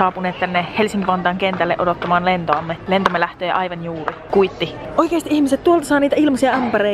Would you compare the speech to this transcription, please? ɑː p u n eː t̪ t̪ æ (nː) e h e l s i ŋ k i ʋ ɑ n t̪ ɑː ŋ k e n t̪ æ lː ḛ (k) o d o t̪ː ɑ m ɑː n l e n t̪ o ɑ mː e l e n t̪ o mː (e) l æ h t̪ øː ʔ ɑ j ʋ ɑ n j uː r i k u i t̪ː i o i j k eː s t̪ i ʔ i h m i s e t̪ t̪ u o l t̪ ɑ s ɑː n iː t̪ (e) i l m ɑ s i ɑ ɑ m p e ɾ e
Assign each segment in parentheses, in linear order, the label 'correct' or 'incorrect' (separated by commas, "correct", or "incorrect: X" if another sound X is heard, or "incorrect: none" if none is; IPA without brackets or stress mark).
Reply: correct, incorrect: ʔ, correct, incorrect: æ